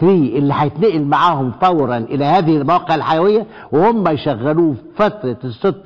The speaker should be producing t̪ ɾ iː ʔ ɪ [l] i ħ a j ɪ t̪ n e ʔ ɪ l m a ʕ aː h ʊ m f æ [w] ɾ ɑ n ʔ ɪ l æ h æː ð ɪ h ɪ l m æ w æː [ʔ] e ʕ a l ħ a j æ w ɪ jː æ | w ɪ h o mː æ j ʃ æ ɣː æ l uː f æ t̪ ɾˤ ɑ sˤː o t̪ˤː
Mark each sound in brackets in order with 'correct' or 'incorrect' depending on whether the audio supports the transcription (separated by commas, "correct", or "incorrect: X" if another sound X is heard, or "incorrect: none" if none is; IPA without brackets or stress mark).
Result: incorrect: lː, correct, incorrect: q